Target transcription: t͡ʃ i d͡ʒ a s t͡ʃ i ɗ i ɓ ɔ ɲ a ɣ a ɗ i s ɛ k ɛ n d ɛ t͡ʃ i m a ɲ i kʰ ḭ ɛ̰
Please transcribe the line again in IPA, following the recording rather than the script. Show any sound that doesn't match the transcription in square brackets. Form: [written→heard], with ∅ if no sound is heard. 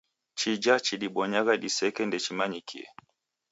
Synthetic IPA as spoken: t͡ʃ i d͡ʒ a [s→∅] t͡ʃ i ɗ i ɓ ɔ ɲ a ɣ a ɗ i s ɛ k ɛ n d ɛ t͡ʃ i m a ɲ i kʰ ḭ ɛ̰